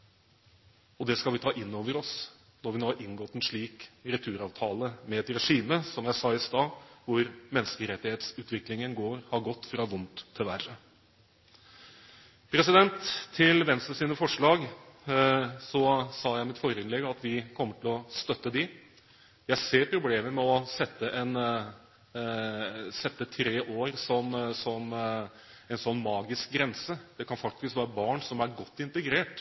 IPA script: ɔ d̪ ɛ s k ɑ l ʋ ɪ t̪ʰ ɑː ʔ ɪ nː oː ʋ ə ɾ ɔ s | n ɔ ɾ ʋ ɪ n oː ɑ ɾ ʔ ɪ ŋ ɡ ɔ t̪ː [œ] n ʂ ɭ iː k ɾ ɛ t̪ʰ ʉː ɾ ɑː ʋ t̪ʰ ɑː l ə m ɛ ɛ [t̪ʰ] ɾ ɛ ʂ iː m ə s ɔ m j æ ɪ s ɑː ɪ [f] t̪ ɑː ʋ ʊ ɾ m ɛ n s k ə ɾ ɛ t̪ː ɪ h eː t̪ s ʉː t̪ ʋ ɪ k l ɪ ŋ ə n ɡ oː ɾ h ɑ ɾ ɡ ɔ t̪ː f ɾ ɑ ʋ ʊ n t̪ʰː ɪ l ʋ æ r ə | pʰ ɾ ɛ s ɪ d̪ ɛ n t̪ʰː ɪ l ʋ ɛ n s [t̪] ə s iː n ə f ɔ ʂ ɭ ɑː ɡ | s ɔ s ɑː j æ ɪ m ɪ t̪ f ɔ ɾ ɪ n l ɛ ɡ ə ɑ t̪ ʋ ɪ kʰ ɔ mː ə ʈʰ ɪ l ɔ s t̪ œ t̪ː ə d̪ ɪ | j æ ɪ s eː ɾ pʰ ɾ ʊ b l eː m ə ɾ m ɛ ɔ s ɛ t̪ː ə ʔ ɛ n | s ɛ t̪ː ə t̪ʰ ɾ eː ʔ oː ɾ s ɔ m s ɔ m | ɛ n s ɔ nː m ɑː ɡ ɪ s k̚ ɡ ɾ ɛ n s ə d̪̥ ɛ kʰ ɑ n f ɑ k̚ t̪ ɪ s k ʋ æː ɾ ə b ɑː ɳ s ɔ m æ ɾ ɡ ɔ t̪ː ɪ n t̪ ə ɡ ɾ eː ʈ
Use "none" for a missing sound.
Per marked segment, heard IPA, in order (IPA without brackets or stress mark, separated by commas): ɛ, t̪, s, t̪